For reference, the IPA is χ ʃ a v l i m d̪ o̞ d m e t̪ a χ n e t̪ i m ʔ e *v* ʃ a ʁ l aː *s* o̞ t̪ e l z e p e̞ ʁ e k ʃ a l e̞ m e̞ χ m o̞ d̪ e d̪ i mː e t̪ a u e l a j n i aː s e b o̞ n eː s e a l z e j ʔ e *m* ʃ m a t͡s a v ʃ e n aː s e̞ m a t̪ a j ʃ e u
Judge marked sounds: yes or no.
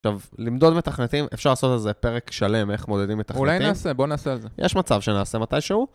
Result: no, yes, no

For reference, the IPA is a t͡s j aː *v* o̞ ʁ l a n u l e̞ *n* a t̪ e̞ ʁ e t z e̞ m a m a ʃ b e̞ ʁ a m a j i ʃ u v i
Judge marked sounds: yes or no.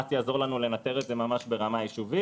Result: no, yes

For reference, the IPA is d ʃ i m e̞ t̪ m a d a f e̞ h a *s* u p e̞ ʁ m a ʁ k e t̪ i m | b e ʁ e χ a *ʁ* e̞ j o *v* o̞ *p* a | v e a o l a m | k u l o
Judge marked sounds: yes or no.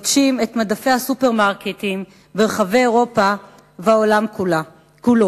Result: yes, no, no, yes

